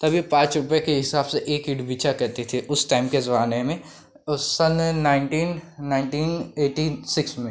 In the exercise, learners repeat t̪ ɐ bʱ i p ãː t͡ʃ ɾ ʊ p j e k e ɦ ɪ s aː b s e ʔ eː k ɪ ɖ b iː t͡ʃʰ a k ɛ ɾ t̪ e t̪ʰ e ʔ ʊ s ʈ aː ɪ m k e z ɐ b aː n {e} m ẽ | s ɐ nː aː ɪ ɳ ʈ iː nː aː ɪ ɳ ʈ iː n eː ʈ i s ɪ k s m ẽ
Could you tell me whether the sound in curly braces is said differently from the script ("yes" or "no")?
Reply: no